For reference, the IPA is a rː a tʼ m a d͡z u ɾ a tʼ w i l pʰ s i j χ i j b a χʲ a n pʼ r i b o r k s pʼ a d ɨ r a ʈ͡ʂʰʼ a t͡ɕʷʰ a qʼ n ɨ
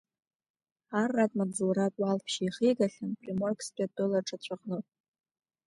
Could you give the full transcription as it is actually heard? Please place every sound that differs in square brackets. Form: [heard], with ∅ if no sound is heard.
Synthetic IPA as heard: a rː a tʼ m a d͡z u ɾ a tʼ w [a] l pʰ [ʃ] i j χ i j [ɡ] a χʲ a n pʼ r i [m] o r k s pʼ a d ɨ [l] a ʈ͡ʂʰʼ a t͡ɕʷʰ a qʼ n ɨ